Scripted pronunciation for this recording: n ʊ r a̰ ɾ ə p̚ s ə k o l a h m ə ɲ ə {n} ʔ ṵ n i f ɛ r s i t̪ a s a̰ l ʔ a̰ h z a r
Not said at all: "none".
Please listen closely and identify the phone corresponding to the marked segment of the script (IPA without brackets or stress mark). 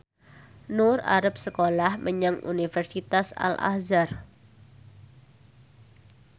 ŋ